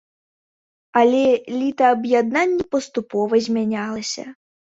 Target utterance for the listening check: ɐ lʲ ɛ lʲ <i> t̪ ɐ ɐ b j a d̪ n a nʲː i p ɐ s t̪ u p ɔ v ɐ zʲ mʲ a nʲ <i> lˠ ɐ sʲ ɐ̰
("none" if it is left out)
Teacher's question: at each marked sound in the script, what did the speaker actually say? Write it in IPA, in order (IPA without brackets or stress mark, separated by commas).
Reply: i, a